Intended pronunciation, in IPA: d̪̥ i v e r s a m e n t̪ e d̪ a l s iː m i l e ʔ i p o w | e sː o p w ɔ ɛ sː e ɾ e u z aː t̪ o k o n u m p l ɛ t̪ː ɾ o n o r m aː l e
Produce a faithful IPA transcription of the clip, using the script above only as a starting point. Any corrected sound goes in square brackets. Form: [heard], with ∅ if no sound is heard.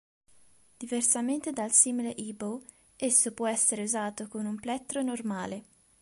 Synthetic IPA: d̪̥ i v e r s a m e n t̪ e d̪ a l s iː m i l e ʔ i [b] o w | e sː o p w ɔ ɛ sː e ɾ e u z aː t̪ o k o n u m p l ɛ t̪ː ɾ o n o r m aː l e